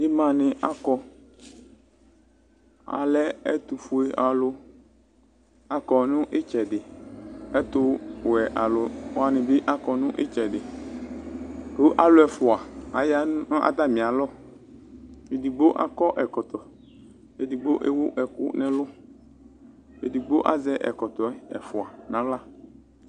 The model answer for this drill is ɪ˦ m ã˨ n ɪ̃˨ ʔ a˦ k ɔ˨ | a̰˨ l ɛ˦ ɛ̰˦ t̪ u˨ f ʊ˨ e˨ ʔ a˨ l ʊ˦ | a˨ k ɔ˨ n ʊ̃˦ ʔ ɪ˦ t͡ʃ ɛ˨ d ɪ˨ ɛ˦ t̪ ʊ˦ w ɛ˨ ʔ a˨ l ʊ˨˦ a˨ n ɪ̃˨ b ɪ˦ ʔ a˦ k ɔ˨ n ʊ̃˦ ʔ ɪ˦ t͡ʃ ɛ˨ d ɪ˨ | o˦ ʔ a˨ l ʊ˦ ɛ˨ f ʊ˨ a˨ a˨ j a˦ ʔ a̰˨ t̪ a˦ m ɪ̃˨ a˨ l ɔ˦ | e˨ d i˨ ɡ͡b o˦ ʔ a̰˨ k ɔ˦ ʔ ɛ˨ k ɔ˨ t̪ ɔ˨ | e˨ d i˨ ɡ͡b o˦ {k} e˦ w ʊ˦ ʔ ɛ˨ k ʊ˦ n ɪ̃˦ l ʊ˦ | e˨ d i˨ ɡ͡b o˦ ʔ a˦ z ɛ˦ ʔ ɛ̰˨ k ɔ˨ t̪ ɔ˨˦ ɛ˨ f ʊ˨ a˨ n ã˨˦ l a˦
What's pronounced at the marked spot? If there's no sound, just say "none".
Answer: ʔ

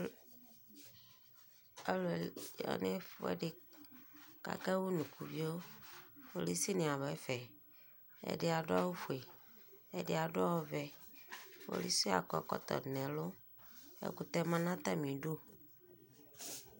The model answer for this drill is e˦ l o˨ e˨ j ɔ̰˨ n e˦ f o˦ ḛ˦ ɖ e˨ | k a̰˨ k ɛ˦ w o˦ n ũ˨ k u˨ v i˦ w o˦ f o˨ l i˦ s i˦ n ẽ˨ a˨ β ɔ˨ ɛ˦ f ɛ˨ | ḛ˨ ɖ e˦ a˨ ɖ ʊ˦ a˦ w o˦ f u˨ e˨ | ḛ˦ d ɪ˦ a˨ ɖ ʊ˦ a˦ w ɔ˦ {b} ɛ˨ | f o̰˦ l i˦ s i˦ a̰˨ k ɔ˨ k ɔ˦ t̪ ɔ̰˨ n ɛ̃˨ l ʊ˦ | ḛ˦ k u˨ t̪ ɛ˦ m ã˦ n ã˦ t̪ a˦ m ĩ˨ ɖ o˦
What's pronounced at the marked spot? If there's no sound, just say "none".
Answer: v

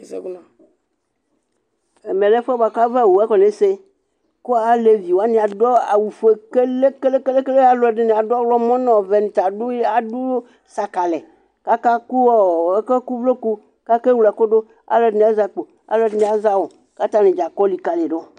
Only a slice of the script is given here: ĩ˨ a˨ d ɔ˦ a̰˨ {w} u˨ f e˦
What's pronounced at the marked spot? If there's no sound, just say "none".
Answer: w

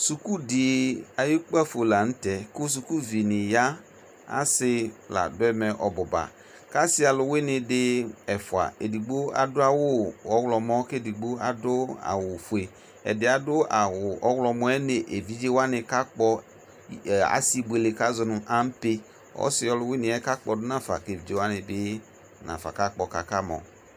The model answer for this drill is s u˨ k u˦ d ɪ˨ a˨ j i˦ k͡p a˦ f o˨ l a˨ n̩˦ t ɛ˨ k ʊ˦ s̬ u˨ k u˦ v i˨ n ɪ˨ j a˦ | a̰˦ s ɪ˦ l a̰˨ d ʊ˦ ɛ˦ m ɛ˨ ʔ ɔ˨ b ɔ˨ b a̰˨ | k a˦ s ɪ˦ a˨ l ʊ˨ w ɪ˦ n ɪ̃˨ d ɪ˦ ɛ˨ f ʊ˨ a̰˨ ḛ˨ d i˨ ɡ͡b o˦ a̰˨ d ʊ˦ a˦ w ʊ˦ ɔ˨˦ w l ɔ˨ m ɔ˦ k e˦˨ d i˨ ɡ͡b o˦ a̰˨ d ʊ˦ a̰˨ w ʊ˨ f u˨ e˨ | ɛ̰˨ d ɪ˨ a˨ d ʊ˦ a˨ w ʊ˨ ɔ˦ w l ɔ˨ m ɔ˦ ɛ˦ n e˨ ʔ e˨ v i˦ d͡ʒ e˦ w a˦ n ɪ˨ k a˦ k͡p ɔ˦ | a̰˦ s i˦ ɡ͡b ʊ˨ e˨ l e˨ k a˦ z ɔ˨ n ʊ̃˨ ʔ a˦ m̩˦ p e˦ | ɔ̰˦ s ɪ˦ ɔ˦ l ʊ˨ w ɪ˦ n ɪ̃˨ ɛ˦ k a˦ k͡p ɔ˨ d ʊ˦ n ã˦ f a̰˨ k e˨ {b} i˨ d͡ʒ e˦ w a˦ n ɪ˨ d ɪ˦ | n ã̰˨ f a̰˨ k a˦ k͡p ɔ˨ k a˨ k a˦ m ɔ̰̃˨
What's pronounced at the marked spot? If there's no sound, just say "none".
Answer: v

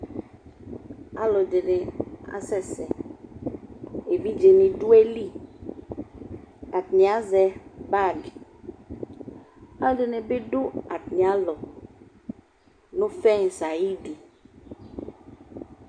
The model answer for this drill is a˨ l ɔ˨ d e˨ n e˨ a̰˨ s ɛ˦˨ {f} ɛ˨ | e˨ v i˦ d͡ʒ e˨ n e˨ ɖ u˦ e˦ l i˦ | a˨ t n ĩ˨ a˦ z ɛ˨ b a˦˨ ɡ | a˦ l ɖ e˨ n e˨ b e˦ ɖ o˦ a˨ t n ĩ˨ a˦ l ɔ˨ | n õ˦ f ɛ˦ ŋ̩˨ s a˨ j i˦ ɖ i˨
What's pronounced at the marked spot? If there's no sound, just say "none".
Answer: s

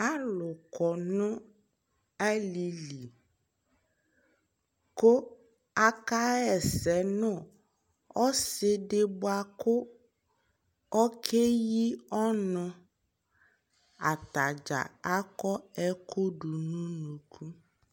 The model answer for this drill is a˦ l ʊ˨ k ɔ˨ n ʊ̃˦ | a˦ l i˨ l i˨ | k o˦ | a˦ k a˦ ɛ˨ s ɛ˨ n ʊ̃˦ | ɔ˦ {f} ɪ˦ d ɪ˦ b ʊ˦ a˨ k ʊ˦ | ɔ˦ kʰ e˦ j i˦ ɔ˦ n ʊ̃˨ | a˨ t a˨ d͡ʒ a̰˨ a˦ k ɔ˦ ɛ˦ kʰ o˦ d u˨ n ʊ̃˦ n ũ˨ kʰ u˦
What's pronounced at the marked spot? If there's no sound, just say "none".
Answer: s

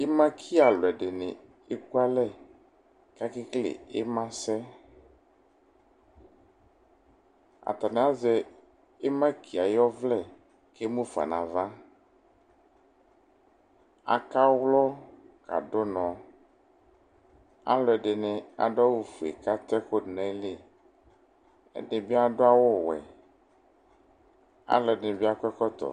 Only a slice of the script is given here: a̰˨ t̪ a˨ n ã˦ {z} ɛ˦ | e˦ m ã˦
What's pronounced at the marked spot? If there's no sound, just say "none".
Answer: z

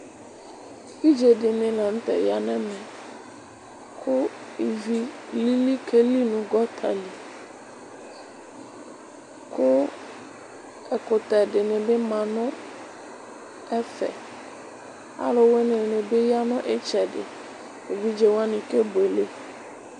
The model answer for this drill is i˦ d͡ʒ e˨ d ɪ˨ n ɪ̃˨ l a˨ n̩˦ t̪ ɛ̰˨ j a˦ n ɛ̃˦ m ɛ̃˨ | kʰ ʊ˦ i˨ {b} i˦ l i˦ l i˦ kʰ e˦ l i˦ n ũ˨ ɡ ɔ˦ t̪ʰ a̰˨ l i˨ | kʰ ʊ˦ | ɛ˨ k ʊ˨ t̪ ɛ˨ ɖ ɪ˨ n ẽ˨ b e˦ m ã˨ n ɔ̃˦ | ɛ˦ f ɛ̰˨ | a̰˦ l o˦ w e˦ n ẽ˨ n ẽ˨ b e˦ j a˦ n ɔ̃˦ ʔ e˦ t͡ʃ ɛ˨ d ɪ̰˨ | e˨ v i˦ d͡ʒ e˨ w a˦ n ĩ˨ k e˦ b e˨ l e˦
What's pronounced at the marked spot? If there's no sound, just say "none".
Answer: v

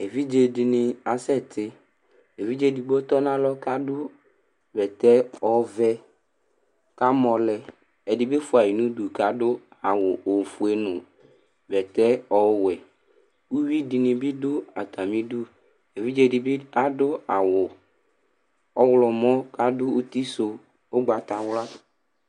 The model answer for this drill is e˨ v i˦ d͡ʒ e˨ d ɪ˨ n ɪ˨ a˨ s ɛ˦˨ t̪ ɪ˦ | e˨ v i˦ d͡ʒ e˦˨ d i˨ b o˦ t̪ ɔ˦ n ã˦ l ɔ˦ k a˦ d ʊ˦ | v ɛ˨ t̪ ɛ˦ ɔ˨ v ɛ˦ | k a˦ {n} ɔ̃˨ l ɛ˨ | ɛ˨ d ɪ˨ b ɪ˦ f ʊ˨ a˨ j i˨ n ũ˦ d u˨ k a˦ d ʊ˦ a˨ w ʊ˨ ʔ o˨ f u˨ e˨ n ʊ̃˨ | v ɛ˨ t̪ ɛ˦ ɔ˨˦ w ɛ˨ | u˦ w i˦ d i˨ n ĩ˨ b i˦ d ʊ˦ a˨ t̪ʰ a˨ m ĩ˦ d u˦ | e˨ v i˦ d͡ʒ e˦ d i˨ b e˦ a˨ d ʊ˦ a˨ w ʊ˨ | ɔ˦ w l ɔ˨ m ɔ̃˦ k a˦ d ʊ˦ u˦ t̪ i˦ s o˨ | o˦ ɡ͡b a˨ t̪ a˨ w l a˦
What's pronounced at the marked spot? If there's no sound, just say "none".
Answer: m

